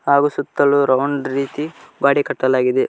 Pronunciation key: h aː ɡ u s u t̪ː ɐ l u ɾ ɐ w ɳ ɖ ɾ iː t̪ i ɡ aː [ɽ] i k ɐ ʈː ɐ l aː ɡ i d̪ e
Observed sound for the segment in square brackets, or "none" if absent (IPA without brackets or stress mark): ɽ